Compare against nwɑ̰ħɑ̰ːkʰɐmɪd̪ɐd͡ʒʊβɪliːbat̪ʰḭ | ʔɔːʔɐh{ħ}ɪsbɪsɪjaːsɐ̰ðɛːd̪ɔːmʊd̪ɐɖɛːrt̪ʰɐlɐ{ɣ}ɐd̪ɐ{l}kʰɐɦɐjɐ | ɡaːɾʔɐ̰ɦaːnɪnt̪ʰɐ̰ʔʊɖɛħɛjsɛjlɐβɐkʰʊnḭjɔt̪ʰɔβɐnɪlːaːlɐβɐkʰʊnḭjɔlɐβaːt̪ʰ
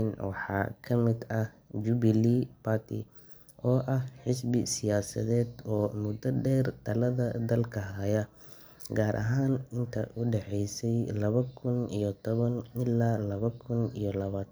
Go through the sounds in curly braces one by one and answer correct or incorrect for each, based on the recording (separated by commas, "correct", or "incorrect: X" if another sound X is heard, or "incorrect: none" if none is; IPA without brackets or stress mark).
correct, incorrect: ð, correct